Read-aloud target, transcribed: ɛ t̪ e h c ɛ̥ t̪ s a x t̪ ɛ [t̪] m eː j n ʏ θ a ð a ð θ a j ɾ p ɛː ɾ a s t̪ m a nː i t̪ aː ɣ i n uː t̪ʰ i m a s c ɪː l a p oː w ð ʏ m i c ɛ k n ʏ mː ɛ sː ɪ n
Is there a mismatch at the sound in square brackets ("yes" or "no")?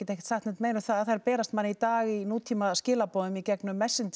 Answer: no